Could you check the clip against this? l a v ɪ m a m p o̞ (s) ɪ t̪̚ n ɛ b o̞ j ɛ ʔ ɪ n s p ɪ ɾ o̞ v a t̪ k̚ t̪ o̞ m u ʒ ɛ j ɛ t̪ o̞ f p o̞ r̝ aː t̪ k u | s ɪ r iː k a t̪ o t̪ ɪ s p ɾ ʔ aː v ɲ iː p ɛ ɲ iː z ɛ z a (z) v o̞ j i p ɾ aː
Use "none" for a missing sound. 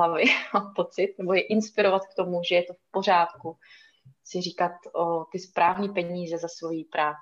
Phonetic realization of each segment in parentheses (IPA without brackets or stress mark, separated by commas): t͡s, s